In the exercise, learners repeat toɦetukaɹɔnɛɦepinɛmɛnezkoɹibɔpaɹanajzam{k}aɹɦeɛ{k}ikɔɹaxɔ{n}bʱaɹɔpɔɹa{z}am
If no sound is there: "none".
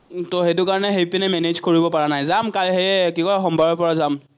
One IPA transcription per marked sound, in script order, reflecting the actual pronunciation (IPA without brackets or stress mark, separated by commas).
k, k, m, z